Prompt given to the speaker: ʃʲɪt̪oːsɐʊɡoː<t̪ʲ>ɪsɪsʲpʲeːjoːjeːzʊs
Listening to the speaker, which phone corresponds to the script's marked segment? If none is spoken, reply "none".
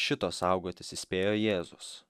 t̪ʲ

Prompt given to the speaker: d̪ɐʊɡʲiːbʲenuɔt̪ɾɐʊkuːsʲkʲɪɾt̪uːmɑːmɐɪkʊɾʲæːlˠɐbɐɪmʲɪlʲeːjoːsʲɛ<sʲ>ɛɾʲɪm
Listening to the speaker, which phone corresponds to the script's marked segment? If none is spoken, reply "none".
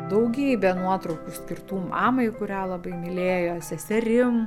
sʲ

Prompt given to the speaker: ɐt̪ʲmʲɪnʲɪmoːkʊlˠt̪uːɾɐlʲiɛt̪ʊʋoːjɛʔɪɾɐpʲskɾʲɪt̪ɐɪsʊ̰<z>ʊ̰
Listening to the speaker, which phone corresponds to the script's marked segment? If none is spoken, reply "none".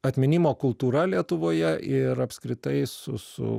s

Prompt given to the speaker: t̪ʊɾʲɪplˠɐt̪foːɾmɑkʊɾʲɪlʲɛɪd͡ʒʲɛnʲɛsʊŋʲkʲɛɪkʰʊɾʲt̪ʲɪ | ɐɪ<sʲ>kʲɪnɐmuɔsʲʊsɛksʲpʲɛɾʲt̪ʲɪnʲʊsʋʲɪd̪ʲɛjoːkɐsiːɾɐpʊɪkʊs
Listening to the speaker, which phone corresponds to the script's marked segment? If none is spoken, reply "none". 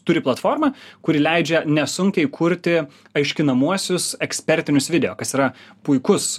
ʃʲ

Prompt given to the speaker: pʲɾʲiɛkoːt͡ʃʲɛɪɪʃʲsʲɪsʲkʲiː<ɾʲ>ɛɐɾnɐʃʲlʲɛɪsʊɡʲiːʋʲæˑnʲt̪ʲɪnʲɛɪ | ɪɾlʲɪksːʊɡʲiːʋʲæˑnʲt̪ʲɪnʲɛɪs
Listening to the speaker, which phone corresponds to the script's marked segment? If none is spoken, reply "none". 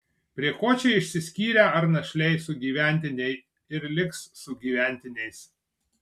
ɾʲ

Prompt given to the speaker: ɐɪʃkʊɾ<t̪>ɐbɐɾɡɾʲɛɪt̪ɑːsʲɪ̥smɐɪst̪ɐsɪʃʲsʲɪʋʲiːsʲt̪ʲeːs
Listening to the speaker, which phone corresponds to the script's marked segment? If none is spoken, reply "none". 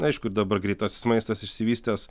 d̪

